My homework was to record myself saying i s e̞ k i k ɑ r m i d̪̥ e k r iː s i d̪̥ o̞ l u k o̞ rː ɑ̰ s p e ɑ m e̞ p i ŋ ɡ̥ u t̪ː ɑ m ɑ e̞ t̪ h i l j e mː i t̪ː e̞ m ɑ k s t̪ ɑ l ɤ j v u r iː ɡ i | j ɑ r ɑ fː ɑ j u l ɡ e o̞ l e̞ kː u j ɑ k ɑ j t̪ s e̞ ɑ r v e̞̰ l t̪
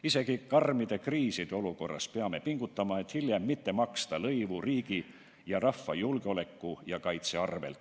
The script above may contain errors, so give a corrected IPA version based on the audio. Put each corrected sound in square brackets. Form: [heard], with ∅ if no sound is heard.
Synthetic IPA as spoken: i s e̞ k i k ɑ r m i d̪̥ e k r iː s i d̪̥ o̞ l u k o̞ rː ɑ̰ s p e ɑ m e̞ p i ŋ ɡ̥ u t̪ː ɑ m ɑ e̞ t̪ h i l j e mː i t̪ː e̞ m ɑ k s t̪ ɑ l ɤ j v u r iː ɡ i | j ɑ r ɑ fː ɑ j u l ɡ e o̞ l e̞ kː u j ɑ k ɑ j t̪ s e̞ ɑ r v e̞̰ l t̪